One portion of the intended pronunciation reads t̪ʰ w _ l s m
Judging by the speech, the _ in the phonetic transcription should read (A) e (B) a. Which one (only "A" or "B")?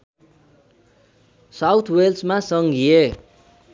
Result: A